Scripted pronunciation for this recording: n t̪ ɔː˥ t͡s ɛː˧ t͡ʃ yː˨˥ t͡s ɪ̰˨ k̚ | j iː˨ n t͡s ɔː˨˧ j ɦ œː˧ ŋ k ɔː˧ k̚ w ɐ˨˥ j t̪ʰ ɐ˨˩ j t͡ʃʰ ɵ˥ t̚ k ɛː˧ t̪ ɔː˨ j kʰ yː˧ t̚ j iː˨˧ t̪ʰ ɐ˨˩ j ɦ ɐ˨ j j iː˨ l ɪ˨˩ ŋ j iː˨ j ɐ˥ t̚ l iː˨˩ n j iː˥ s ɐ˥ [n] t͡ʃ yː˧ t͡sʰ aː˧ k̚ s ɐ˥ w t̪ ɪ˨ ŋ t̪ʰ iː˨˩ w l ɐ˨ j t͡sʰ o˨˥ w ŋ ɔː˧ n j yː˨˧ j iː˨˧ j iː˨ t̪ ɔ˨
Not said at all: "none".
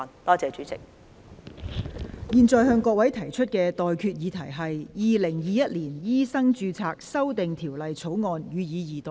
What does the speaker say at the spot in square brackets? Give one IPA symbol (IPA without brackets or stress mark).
ŋ